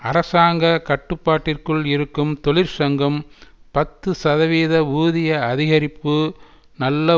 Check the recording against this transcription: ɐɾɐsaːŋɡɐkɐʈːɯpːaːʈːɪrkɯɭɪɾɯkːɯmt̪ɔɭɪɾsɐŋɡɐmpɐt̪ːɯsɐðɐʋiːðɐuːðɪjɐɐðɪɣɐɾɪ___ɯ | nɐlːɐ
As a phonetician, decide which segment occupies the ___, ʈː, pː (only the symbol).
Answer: pː